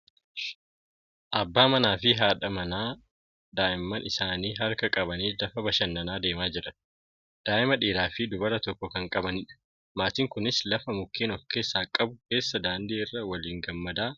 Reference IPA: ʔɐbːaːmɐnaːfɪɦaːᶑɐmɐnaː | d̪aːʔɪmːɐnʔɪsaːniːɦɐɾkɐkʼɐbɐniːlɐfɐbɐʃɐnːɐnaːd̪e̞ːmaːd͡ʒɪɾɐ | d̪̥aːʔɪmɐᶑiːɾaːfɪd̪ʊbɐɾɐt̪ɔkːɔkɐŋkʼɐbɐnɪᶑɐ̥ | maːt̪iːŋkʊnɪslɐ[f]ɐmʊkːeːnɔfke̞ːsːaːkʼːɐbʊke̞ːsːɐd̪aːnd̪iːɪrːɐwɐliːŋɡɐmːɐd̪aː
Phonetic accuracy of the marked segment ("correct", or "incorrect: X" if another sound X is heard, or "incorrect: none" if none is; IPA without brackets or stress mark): correct